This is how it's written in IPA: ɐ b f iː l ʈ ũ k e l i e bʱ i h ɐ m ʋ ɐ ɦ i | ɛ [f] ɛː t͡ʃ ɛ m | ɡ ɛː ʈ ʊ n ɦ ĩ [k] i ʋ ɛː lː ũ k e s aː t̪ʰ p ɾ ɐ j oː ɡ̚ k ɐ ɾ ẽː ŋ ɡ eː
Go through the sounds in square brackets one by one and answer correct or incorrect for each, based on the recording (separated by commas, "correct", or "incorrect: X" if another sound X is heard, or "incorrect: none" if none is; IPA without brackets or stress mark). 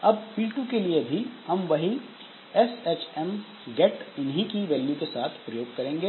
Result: incorrect: s, correct